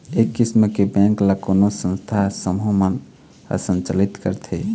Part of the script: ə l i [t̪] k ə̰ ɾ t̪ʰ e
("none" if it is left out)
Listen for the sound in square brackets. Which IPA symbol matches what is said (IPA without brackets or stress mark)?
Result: t̪